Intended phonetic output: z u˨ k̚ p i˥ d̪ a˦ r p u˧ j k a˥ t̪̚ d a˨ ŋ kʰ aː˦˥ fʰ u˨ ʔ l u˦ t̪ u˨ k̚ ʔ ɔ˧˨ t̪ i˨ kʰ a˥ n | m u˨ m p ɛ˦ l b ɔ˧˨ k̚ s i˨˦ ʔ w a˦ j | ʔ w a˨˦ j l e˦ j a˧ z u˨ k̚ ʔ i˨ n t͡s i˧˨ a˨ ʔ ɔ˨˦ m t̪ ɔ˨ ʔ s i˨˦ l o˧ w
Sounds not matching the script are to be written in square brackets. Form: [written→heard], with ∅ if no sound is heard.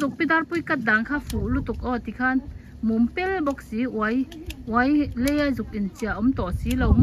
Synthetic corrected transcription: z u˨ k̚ p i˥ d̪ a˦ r p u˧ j k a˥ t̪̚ d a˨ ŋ kʰ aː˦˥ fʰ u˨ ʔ l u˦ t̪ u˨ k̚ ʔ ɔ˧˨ t̪ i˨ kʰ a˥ n | m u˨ m p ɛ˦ l b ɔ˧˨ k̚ s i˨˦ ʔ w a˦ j | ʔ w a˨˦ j l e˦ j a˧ z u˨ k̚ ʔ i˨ n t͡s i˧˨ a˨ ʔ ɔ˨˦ m t̪ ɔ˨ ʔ s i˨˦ l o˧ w